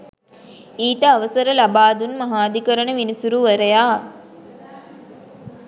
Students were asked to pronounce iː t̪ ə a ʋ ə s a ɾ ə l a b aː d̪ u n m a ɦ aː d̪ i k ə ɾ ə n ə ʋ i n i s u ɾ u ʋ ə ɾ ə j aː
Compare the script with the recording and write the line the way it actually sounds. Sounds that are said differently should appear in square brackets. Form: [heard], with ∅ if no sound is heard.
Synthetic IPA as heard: iː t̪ ə a ʋ ə s [ə] ɾ ə l a b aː d̪ u n m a ɦ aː d̪ i k ə ɾ ə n ə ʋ i n i s u ɾ u ʋ ə ɾ ə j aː